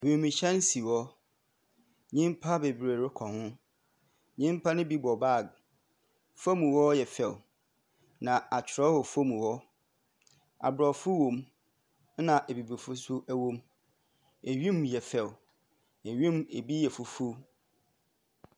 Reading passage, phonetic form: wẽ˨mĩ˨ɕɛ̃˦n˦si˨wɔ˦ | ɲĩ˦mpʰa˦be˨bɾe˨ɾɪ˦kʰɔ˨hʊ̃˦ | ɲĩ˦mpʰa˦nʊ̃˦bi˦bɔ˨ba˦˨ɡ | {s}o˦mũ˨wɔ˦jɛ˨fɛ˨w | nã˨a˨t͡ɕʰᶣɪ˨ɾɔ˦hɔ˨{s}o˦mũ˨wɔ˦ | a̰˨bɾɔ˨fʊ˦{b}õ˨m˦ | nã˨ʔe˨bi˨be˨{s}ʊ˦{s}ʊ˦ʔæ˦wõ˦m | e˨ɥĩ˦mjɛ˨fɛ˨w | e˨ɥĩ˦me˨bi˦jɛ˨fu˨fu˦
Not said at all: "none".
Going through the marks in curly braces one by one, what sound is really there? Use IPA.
f, f, w, f, s

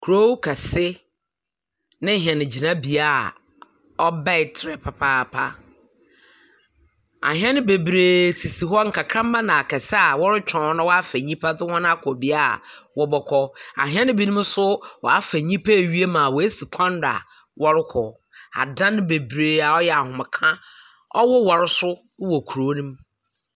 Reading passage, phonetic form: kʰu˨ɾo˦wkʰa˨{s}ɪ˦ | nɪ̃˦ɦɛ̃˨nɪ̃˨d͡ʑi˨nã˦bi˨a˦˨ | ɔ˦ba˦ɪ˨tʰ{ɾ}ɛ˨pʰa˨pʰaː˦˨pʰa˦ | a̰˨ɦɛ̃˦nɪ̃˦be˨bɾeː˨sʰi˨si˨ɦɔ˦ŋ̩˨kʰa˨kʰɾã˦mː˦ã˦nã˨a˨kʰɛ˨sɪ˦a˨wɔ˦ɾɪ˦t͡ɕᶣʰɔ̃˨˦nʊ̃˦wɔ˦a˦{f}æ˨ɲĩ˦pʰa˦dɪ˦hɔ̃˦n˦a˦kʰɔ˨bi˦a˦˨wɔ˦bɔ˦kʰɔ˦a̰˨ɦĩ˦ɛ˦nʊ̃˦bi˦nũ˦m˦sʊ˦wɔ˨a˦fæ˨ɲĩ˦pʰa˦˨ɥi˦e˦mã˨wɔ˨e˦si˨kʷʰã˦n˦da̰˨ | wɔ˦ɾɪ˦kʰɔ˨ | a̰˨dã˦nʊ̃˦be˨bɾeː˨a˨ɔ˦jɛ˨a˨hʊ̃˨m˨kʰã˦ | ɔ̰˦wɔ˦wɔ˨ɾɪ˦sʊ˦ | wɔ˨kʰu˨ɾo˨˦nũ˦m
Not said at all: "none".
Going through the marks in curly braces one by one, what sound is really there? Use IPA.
s, ɾ, f

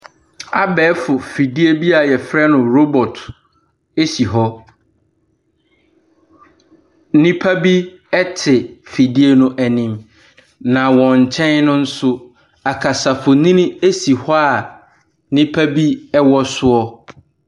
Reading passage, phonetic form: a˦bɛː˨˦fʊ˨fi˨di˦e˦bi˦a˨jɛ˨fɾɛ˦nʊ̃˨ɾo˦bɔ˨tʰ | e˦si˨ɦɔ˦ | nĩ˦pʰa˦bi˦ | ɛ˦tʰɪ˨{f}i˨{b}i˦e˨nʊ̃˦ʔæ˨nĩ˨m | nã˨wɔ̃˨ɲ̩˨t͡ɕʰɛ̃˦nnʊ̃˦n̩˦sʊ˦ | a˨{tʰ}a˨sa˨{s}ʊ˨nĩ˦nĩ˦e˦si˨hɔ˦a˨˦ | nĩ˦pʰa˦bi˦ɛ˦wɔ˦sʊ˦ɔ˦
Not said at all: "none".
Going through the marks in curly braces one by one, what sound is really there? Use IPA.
f, d, kʰ, f

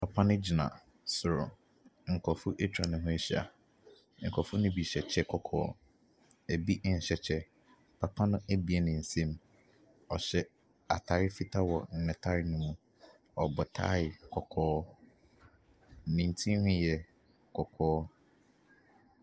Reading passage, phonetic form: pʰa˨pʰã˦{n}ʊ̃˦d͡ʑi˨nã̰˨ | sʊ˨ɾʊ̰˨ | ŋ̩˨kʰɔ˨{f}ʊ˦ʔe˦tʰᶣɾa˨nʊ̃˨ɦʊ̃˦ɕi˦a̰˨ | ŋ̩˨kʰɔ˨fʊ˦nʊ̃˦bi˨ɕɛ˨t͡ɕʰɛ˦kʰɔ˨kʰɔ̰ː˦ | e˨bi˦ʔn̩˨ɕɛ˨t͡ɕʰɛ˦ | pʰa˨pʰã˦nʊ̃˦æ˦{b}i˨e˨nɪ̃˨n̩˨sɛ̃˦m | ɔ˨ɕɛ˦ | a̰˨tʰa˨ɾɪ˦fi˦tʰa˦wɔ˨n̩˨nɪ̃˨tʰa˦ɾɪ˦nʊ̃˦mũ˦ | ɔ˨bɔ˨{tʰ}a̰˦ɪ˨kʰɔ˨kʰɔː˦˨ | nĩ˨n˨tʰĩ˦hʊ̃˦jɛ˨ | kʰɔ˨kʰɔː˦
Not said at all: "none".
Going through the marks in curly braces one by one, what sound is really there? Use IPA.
n, f, b, tʰ

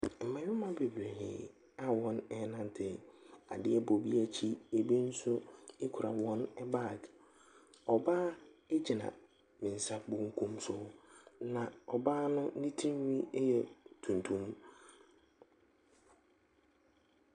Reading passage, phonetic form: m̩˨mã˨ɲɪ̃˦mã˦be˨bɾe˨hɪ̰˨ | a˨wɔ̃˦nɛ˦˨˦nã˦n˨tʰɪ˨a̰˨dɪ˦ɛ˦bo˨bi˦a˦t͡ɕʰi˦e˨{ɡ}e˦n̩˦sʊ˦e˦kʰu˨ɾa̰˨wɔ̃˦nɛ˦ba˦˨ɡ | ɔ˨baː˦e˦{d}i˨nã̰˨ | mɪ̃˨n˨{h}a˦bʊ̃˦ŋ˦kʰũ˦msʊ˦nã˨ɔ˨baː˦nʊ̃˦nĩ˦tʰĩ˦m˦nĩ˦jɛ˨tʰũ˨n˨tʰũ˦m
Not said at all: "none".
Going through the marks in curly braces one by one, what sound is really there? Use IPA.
b, d͡ʑ, s

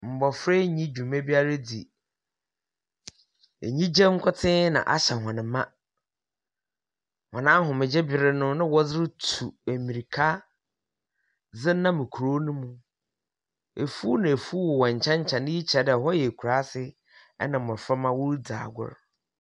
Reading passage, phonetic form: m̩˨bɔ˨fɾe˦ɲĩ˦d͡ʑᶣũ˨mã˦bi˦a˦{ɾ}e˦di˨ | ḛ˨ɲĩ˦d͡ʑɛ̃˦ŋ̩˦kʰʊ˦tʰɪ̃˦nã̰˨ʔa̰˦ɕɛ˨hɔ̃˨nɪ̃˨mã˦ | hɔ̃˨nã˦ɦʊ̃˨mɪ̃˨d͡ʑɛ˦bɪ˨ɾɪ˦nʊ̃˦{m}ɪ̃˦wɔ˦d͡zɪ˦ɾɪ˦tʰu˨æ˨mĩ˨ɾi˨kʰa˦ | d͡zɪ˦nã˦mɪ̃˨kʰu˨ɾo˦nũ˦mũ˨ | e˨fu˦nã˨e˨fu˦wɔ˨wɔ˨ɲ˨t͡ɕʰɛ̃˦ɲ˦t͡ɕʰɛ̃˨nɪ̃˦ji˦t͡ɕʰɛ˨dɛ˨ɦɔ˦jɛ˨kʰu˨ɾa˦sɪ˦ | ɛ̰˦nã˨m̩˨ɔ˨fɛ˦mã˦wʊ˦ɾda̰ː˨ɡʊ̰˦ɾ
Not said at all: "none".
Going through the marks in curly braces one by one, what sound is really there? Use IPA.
ɾ, n

